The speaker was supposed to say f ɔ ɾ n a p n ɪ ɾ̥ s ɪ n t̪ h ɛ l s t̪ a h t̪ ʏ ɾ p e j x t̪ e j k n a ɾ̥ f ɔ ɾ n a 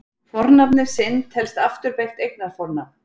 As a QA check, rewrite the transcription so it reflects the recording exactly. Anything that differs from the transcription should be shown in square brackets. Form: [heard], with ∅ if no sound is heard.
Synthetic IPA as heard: f ɔ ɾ n a p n ɪ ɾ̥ s ɪ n t̪ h ɛ l s t̪ a [f] t̪ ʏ ɾ p e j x t̪ e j k n a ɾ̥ f ɔ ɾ n a